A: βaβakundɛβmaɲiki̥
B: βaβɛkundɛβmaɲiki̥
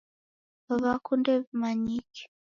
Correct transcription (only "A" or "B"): A